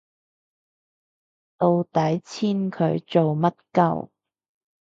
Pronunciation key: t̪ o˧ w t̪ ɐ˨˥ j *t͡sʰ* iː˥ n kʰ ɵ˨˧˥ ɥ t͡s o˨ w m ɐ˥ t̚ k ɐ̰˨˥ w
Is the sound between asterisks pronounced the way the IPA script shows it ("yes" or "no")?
yes